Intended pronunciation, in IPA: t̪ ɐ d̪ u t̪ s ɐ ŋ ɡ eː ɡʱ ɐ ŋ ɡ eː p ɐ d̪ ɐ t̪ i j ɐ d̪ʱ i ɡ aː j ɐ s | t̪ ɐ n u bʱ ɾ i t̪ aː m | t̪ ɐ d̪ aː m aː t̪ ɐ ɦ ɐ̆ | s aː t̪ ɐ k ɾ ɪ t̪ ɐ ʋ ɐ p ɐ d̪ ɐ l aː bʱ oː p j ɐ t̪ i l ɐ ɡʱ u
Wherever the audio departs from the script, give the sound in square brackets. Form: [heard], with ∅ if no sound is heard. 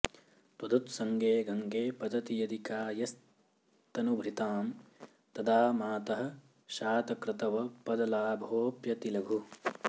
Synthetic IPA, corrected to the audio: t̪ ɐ d̪ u t̪ s ɐ ŋ ɡ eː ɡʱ ɐ ŋ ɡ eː p ɐ d̪ ɐ t̪ i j ɐ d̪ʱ i [k] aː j ɐ s | t̪ ɐ n u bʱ ɾ i t̪ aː m | t̪ ɐ d̪ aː m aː t̪ ɐ ɦ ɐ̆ | [ʃ] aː t̪ ɐ k ɾ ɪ t̪ ɐ ʋ ɐ p ɐ d̪ ɐ l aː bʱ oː p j ɐ t̪ i l ɐ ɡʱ u